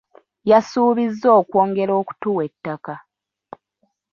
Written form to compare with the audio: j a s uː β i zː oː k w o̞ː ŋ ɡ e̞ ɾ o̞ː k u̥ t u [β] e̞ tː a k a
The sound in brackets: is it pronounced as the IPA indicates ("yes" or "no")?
no